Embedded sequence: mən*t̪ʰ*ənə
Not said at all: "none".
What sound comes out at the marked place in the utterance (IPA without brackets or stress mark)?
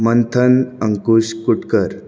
t̪ʰ